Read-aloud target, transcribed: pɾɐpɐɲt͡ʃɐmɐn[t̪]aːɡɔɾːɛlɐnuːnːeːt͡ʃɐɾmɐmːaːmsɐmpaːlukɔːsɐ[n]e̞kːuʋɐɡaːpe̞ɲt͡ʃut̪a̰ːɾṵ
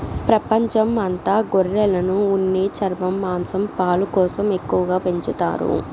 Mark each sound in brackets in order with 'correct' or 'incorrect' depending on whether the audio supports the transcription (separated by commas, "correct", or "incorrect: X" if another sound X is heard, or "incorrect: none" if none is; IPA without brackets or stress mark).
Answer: correct, incorrect: m